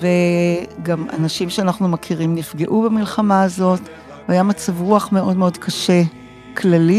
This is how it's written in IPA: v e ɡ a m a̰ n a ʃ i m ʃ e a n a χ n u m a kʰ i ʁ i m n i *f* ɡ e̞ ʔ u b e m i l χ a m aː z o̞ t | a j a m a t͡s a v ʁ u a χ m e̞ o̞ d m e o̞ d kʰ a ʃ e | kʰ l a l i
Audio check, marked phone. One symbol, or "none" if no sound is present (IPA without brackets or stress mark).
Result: f